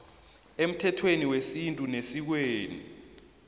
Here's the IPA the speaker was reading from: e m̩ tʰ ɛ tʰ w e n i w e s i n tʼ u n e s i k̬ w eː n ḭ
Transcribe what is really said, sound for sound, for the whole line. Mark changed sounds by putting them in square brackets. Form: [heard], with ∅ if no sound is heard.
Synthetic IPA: e m̩ tʰ ɛ tʰ w e n i w e s i n tʼ u n e s i k̬ w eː n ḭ